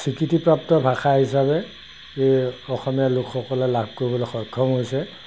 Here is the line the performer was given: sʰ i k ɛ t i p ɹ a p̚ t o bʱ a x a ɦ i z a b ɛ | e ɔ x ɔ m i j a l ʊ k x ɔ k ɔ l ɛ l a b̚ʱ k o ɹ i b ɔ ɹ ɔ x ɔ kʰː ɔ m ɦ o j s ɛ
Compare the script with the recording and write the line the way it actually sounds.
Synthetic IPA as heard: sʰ i k i t i p ɹ a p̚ t ɔ bʱ a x a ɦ i s a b ɛ | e ɔ x ɔ m i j a l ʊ k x ɔ k ɔ l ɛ l a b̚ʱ k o ɹ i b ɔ l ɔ x ɔ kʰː ɔ m ɦ o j s ɛ